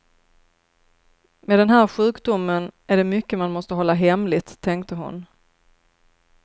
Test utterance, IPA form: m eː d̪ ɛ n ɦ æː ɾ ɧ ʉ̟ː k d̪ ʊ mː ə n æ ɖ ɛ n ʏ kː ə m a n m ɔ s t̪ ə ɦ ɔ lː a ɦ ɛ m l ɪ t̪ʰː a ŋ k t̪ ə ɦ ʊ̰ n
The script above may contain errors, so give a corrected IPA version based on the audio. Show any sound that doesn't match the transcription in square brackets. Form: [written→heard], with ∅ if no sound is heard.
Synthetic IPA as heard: m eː d̪ ɛ n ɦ æː ɾ ɧ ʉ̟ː k d̪ ʊ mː ə n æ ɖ ɛ [n→m] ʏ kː ə m a n m ɔ s t̪ ə ɦ ɔ lː a ɦ ɛ m l ɪ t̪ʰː [a→ɛ] ŋ k t̪ ə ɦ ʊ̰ n